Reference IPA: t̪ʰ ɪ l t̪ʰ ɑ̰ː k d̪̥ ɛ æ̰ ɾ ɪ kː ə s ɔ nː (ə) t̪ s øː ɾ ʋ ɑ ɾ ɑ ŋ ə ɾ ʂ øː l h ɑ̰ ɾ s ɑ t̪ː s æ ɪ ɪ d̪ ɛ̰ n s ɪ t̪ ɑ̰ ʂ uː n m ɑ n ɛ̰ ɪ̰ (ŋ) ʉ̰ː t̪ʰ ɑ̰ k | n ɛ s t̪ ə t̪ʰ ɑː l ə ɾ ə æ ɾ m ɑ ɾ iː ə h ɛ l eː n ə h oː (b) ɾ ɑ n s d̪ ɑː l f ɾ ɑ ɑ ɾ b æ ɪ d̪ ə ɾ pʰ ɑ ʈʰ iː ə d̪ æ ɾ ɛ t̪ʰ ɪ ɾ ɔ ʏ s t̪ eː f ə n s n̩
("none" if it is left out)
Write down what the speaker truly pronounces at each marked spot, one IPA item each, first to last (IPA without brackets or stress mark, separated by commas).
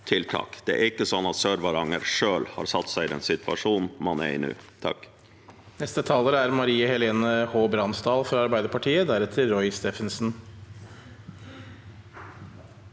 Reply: ɑ, n, b